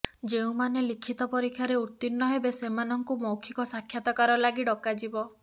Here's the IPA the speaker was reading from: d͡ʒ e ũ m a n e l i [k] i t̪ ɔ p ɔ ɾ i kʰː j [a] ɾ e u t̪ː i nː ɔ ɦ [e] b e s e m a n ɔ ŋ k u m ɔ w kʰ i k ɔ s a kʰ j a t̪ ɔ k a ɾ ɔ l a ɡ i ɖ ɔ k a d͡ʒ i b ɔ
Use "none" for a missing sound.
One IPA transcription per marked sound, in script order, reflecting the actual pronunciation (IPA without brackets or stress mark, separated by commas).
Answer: kʰ, a, e